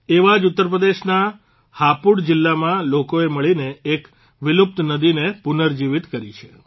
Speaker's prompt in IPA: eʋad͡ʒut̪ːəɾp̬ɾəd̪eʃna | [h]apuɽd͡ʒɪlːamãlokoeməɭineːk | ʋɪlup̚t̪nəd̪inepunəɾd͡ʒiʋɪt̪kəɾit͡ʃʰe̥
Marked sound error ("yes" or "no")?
no